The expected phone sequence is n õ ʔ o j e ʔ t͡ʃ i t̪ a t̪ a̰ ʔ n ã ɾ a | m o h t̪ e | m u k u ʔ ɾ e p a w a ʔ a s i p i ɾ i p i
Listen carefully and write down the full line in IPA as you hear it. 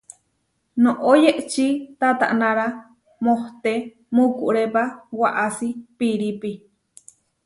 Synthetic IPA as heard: n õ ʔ o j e ʔ t͡ʃ i t̪ a t̪ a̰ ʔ n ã ɾ a | m o h t̪ e | m u k u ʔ ɾ e p a w a ʔ a s i p i ɾ i p i